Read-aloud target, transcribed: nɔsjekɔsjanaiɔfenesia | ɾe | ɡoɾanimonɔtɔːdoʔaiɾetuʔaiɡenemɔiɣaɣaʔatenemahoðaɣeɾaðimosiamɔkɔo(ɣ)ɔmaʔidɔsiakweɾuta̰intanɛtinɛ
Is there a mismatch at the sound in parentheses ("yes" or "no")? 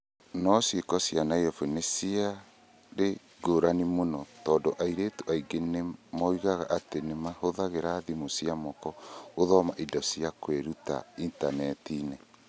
yes